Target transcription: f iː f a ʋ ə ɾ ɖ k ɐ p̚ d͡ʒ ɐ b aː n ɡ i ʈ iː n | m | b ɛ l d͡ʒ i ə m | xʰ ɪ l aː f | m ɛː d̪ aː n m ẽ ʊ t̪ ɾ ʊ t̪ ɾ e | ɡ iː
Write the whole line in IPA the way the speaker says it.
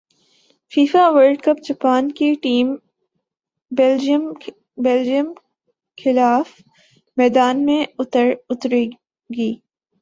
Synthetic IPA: f iː f a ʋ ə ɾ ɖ k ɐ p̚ d͡ʒ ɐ p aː n k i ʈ iː m | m | b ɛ l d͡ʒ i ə m | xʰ ɪ l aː f | m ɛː d̪ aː n m ẽ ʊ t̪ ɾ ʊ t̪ ɾ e | ɡ iː